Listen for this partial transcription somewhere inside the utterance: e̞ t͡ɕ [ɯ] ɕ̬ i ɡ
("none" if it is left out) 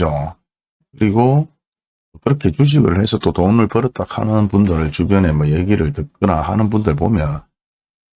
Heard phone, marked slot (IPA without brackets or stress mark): u